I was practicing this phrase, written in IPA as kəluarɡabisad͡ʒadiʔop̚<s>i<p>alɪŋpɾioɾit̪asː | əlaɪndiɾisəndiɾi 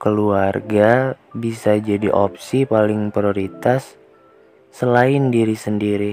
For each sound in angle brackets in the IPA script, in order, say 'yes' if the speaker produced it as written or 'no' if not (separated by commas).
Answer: yes, yes